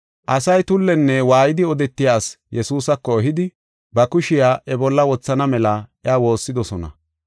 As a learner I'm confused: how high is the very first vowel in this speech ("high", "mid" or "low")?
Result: low